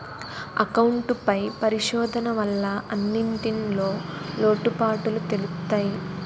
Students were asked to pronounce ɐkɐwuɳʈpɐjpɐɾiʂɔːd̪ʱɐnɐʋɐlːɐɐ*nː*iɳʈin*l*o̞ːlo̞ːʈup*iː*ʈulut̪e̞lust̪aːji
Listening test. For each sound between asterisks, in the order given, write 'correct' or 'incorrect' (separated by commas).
correct, correct, incorrect